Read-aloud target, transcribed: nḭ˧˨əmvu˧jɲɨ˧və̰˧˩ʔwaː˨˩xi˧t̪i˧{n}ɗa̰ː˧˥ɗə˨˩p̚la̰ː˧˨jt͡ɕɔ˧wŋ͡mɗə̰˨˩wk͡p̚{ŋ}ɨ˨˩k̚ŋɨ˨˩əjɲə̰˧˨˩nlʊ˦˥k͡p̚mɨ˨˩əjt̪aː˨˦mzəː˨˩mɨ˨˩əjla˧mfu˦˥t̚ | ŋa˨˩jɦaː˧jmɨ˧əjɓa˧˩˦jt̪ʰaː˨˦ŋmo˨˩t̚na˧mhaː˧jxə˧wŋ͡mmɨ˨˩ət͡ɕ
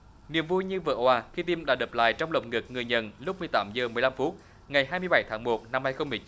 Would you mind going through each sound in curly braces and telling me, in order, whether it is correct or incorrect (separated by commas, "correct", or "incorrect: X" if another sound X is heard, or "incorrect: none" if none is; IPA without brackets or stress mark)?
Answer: incorrect: m, correct